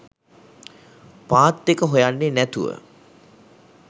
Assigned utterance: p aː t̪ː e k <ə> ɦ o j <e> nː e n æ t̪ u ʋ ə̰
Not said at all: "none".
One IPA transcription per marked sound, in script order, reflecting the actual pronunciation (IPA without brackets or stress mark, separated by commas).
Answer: ə, a